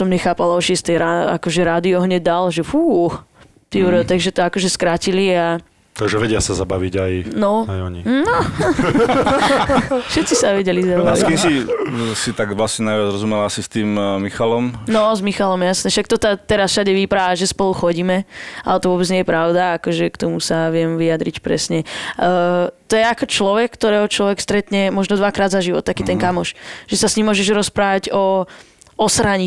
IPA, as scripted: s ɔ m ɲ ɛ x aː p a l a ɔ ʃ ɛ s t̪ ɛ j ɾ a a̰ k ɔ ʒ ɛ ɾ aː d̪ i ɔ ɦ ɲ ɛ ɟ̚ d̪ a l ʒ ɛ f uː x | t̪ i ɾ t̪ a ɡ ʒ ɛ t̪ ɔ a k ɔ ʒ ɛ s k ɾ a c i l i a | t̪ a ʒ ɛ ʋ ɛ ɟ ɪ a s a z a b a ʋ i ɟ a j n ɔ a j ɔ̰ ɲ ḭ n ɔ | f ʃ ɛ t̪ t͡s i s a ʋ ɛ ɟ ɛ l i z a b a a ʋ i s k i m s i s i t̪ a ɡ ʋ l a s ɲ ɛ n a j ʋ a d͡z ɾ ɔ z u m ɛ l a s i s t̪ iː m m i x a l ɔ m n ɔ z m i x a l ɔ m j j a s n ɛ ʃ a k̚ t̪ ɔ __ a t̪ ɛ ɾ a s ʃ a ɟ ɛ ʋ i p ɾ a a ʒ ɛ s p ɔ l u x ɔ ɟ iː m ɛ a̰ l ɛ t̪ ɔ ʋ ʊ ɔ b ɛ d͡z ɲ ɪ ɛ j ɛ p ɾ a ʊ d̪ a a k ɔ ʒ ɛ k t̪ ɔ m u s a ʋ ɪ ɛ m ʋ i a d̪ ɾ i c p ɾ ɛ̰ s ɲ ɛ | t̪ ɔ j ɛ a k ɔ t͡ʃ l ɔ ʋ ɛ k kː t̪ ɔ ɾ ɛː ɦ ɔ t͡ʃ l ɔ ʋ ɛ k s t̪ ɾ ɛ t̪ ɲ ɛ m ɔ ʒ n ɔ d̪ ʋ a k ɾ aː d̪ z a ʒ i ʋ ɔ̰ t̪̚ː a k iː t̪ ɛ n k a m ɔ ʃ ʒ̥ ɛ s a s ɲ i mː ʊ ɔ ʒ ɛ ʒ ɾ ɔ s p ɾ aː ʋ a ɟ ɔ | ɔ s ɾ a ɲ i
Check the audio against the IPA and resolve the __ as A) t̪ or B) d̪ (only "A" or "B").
A